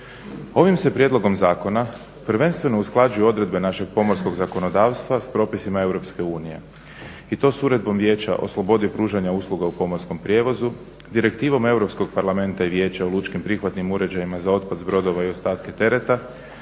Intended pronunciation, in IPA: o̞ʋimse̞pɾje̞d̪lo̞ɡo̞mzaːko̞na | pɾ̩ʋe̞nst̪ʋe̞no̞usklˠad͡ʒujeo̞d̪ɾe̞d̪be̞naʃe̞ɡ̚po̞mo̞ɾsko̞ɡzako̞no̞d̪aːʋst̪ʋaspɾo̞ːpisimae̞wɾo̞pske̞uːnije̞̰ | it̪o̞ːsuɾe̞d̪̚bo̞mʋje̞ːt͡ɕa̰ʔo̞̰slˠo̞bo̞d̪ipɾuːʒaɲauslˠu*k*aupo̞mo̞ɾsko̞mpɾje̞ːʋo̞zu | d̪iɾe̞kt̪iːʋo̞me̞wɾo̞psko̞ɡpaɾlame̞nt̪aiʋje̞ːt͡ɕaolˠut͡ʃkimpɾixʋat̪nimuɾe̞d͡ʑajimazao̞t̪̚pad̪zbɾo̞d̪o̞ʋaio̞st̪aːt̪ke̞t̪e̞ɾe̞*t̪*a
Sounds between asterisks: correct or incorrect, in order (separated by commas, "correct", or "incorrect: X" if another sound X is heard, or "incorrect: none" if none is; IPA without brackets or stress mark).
incorrect: ɡ, correct